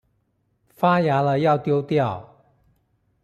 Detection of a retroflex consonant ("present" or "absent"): absent